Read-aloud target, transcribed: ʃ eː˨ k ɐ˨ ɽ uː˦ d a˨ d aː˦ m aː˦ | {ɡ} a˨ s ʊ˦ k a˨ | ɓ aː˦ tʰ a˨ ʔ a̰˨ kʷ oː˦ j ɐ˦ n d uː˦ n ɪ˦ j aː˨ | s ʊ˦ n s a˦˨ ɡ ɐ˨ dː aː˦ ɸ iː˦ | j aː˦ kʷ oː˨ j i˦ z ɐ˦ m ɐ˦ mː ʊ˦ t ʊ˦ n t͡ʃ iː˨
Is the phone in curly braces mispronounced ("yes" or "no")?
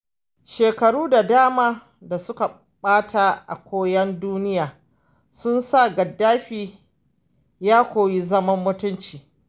yes